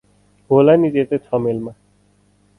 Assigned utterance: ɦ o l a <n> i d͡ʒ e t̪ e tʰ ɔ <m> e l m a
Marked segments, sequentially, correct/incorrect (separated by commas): correct, correct